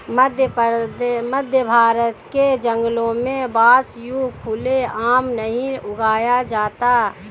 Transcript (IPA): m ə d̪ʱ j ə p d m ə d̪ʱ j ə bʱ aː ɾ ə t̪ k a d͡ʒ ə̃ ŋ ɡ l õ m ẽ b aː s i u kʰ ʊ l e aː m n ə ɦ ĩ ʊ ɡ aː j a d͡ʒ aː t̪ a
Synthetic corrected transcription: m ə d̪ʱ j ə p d m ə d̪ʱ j ə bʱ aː ɾ ə t̪ k e d͡ʒ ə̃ ŋ ɡ l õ m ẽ b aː s j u kʰ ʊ l e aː m n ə ɦ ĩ ʊ ɡ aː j a d͡ʒ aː t̪ a